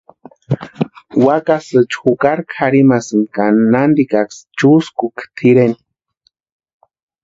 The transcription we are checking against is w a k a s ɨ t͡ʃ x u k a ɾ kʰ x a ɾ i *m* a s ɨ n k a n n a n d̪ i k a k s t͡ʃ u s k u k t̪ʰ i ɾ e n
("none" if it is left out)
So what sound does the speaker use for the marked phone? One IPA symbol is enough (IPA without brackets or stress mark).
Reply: m